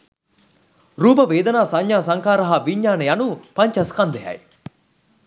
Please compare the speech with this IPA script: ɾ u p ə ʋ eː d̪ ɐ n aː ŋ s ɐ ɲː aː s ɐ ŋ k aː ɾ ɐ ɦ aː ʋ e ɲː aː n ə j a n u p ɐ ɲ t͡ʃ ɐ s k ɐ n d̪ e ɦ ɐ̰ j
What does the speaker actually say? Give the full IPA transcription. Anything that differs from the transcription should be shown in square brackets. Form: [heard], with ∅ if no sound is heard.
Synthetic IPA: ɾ [uː] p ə ʋ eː d̪ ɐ n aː [∅] s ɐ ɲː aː s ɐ ŋ k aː ɾ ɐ ɦ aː ʋ [i] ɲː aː n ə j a n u p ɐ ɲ t͡ʃ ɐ s k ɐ n d̪ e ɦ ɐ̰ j